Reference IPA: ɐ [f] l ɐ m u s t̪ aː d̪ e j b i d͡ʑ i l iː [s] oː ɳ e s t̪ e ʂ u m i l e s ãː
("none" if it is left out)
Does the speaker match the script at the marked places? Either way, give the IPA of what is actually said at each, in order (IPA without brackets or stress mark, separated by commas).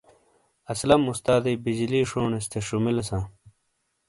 s, ʂ